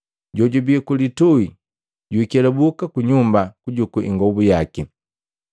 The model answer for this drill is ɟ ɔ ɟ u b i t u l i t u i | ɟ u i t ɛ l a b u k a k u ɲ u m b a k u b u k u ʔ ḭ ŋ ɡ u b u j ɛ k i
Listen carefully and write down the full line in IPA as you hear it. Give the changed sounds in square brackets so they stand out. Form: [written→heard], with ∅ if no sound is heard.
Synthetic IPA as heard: ɟ ɔ ɟ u b i [t→k] u l i t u i | ɟ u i [t→k] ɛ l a b u k a k u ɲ u m b a k u [b→ɟ] u k u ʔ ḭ ŋ ɡ [u→ɔ] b u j [ɛ→a] k i